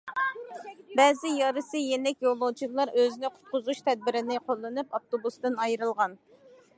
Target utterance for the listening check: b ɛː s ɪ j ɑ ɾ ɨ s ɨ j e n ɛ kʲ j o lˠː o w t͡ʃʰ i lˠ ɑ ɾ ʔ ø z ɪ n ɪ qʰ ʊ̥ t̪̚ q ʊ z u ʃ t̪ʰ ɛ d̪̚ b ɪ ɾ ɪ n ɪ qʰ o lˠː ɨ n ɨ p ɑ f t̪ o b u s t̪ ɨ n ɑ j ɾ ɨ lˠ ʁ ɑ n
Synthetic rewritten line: b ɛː z ɪ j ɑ ɾ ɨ s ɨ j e n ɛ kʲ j o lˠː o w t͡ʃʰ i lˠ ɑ ɾ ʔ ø z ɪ n ɪ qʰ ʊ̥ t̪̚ q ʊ z u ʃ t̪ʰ ɛ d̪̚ b ɪ ɾ ɪ n ɪ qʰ o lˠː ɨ n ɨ p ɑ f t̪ o b u s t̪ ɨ n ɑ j ɾ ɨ lˠ ʁ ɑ n